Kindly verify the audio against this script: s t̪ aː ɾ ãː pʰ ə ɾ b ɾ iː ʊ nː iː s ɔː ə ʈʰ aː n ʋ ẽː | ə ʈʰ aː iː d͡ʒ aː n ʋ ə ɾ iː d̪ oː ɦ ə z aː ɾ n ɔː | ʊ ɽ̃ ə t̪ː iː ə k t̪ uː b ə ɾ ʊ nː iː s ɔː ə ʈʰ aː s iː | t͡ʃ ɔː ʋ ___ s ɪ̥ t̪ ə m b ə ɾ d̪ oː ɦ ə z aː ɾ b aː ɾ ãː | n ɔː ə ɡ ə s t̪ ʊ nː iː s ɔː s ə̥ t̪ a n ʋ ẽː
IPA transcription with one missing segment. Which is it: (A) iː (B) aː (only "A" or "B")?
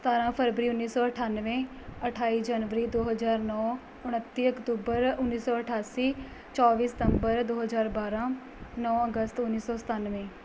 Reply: A